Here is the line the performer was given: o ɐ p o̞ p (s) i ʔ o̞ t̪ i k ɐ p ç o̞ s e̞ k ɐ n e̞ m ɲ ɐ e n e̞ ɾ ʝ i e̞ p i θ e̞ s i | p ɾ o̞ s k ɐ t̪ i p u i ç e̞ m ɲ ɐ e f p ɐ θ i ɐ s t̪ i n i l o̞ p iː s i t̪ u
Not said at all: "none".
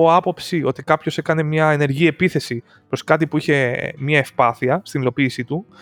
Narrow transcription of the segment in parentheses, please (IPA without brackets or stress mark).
s